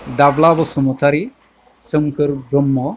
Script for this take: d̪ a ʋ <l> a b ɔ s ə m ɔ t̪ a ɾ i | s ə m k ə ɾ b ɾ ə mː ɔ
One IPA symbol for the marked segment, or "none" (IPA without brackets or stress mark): l